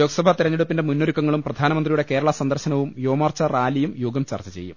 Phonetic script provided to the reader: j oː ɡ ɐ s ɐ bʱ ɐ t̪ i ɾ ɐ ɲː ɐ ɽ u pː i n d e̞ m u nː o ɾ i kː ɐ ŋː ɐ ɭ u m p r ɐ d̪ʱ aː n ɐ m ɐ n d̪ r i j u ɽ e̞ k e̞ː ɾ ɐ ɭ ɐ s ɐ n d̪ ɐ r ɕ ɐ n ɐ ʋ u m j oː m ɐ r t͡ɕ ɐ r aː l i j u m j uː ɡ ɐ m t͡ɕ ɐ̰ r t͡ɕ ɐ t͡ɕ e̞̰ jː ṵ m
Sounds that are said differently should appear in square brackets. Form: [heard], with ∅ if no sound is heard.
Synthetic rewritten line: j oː ɡ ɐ s ɐ bʱ ɐ t̪ i ɾ ɐ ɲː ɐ ɽ u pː i n d e̞ m u nː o ɾ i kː ɐ ŋː ɐ ɭ u m p r ɐ d̪ʱ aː n ɐ m ɐ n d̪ r i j u ɽ e̞ k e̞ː ɾ ɐ ɭ ɐ s ɐ n d̪ ɐ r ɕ ɐ n ɐ ʋ u m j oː m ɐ r t͡ɕ ɐ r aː l i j u m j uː ɡ ɐ m t͡ɕ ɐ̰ r t͡ɕ ɐ t͡ɕ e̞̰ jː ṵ m